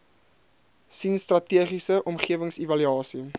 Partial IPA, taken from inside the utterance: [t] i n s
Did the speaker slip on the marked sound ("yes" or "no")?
yes